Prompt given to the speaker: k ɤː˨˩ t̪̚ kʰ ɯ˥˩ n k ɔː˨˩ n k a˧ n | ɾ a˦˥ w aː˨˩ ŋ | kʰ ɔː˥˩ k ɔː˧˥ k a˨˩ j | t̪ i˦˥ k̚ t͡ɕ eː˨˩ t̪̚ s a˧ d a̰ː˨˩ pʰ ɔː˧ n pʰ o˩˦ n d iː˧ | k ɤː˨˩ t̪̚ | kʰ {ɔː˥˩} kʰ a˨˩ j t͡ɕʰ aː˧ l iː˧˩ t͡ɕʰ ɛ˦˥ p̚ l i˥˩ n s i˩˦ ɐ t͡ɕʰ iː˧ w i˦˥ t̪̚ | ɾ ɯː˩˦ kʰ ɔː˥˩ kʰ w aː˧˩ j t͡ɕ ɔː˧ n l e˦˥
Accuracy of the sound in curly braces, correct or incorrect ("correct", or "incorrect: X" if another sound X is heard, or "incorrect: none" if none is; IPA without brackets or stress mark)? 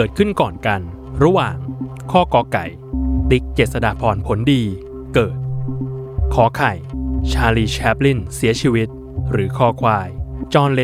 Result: incorrect: ɔː˩˦